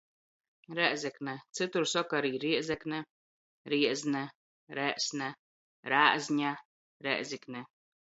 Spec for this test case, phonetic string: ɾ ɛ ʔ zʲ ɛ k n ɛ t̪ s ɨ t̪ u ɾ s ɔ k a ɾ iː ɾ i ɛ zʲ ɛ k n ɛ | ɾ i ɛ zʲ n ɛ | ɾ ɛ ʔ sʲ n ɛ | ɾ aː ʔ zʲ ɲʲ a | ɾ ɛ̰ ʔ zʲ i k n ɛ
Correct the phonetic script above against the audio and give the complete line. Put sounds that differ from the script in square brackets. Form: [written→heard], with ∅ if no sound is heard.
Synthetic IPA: ɾ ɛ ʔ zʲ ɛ k n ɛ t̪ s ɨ t̪ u ɾ s ɔ k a ɾ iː ɾ i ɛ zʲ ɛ k n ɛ | ɾ i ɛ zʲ n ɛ | ɾ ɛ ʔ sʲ n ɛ | ɾ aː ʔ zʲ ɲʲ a | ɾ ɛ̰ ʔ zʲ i k n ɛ